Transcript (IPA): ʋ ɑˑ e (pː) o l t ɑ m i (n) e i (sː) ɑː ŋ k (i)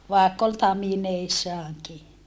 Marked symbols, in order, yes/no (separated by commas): no, yes, yes, yes